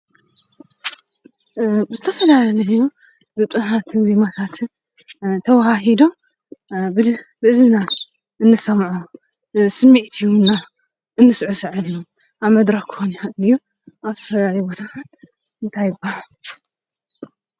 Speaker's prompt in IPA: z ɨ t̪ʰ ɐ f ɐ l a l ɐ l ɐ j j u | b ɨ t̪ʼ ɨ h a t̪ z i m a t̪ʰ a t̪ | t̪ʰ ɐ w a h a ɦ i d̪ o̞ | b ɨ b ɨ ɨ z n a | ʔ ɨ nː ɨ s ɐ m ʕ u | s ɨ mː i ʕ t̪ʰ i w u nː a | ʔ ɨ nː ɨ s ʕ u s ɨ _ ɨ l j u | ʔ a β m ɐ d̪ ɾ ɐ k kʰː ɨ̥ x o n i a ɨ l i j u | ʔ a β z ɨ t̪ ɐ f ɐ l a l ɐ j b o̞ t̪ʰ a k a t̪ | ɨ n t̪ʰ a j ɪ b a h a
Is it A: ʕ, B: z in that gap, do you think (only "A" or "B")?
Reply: A